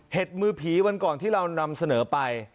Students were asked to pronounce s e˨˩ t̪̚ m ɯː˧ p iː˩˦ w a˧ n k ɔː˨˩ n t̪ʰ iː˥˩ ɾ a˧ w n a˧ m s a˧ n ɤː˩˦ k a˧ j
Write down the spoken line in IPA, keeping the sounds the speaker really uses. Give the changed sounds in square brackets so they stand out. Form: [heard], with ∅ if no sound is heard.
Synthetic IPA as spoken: [h] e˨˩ t̪̚ m ɯː˧ [pʰ] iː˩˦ w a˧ n k ɔː˨˩ n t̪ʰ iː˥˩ ɾ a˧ w n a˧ m s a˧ n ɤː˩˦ [p] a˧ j

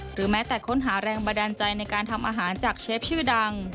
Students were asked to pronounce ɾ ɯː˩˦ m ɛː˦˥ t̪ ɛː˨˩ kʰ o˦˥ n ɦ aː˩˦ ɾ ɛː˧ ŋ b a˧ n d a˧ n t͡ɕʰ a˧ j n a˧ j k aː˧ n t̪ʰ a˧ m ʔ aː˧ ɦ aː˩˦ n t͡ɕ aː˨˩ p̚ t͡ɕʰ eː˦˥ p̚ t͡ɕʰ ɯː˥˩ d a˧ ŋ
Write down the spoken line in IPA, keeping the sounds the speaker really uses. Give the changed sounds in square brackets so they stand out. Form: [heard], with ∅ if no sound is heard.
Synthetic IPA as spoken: ɾ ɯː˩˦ m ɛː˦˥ t̪ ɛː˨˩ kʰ o˦˥ n ɦ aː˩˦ ɾ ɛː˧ ŋ b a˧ n d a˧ n [t͡ɕ] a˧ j n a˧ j k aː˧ n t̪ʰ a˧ m ʔ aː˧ ɦ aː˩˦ n t͡ɕ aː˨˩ [k̚] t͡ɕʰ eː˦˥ p̚ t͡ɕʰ ɯː˥˩ d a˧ ŋ

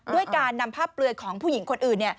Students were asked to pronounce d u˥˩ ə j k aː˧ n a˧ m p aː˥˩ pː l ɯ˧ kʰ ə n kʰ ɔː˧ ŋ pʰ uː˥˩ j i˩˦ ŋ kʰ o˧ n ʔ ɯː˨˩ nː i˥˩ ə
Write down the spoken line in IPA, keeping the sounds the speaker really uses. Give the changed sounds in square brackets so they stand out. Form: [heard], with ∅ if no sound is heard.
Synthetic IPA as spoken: d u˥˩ ə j k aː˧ [nː] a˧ m [pʰ] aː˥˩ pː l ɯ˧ [∅] ə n kʰ [ɔː˩˦] ŋ pʰ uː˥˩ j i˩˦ ŋ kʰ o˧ n ʔ ɯː˨˩ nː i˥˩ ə

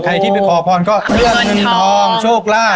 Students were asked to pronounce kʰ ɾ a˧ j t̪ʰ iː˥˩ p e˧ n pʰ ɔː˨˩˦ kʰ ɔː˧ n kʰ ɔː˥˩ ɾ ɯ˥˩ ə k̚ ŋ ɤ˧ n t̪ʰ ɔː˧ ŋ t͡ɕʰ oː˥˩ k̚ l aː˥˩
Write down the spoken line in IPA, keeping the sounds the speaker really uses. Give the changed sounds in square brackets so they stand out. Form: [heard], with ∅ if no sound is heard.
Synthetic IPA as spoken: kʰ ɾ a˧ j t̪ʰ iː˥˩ p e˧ n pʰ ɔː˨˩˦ [pʰ] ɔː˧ n [k] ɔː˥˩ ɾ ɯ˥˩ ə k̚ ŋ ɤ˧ n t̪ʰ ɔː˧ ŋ t͡ɕʰ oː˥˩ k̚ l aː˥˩

